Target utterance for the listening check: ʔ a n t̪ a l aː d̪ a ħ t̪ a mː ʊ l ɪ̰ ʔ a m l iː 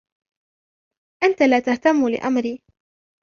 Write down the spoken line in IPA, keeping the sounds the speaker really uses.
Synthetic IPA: ʔ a n t̪ a l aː t̪ a h t̪ a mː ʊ l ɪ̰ ʔ a m ɾ iː